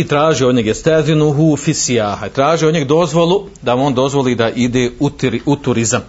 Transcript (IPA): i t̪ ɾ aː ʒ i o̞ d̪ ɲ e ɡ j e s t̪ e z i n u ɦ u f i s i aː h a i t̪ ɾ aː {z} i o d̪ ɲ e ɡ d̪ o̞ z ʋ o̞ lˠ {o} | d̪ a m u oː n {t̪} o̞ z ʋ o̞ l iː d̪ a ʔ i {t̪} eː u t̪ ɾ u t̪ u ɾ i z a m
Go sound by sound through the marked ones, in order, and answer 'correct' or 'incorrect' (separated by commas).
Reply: incorrect, incorrect, incorrect, incorrect